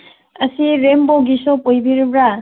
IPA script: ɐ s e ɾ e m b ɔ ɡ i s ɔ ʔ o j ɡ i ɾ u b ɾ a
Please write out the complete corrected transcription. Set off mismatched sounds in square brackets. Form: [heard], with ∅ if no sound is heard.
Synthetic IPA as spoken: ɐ s [i] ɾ e m b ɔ ɡ i s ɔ [p] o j [b] i ɾ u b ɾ a

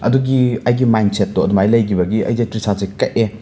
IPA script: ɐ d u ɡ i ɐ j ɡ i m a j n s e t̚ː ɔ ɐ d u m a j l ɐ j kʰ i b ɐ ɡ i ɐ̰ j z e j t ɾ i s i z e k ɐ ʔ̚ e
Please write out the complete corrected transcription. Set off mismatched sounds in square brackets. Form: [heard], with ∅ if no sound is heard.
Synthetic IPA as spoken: ɐ d u ɡ i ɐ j ɡ i m a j n s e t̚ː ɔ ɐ d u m a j l ɐ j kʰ i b ɐ ɡ i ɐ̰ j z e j t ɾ i s [a] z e k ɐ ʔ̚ e

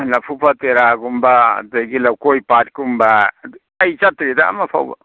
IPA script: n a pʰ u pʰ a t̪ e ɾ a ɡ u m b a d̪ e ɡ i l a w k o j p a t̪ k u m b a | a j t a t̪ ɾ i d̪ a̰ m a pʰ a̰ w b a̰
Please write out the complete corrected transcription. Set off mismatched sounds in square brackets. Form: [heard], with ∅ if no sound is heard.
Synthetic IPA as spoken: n a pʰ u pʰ a t̪ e ɾ a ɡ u m b a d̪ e ɡ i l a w k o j p a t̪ k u m b a | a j [t͡ʃ] a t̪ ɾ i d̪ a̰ m a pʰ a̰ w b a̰

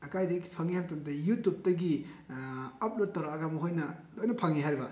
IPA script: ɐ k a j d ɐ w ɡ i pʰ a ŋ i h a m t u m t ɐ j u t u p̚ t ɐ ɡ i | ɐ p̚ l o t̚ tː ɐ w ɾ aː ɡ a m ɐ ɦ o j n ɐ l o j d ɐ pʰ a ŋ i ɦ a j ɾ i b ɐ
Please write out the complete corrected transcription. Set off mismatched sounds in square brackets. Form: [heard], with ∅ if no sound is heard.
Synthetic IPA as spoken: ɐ k a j d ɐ [∅] ɡ i pʰ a ŋ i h a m t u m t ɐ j u t u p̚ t ɐ ɡ i | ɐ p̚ l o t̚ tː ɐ w ɾ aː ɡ a m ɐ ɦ o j n ɐ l o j [n] ɐ pʰ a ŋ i ɦ a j ɾ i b ɐ

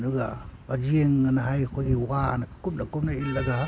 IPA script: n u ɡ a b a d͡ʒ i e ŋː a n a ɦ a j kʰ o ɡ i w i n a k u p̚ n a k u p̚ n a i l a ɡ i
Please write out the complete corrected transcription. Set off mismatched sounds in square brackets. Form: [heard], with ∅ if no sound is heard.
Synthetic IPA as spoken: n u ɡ a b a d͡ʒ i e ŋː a n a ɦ a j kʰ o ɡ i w [a] n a k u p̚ n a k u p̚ n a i l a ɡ [a]

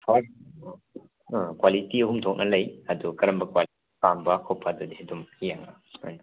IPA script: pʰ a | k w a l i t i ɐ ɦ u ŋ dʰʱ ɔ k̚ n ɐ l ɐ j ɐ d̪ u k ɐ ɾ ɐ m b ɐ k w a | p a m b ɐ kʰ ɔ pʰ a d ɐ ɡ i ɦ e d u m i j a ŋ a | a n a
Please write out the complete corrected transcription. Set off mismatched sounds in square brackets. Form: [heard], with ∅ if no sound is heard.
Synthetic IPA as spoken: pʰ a | k w a l i t i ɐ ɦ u [m] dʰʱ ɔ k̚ n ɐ l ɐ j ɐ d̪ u k ɐ ɾ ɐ m b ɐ k w a | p a m b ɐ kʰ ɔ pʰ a d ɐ [d] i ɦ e d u m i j a ŋ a | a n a

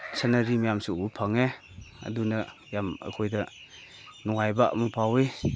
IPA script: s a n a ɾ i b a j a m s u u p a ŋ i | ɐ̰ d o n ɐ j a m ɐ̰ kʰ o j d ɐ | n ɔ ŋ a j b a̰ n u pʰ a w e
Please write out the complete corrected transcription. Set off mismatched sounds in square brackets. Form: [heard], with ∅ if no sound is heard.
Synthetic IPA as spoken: s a n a ɾ i [m] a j a m s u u [pʰ] a ŋ [e] | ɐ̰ d [u] n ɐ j a m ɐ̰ kʰ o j d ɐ | n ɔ ŋ a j b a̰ [m] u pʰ a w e

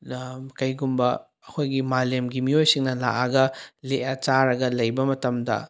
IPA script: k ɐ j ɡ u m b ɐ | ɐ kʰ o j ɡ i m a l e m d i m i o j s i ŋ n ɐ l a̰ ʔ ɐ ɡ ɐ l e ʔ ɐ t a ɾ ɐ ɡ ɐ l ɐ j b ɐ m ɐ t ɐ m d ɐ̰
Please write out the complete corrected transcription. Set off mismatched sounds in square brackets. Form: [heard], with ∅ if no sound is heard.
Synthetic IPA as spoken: k ɐ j ɡ u m b ɐ | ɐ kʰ o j ɡ i m a l e m [ɡ] i m i o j s i ŋ n ɐ l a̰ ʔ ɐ ɡ ɐ l e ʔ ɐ [t͡ʃ] a ɾ ɐ ɡ ɐ l ɐ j b ɐ m ɐ t ɐ m d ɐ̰

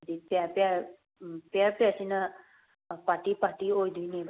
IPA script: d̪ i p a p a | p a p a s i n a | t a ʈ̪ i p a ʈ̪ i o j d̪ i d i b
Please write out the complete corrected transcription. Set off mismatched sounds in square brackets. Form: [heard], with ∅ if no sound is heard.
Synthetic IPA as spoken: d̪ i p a p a | p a p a s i n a | [p] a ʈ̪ i p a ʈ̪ i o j d̪ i [n] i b

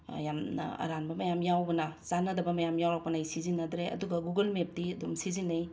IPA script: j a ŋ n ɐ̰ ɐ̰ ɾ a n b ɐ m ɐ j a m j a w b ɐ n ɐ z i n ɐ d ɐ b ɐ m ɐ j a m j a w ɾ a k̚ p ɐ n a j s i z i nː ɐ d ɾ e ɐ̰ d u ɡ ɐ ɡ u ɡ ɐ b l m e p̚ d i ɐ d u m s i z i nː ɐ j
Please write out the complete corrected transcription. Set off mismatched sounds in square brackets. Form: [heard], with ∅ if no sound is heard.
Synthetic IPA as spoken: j a [m] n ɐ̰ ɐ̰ ɾ a n b ɐ m ɐ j a m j a w b ɐ n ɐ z [a] n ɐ d ɐ b ɐ m ɐ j a m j a w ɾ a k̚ p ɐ n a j s i z i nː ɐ d ɾ e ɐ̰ d u ɡ ɐ ɡ u ɡ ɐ [∅] l m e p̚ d i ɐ d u m s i z i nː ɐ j

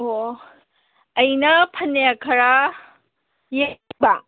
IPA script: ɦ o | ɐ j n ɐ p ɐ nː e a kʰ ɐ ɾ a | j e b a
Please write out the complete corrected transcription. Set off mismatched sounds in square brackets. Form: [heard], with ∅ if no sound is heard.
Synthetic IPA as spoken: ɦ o | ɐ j n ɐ [pʰ] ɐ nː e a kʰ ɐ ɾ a | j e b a

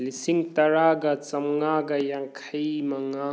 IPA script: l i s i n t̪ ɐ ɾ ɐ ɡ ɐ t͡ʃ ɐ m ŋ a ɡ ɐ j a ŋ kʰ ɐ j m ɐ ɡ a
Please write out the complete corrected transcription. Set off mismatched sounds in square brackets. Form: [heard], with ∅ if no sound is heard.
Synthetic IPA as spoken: l i s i [ŋ] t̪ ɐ ɾ [a] ɡ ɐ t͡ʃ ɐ m ŋ a ɡ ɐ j a ŋ kʰ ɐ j m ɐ [ŋ] a

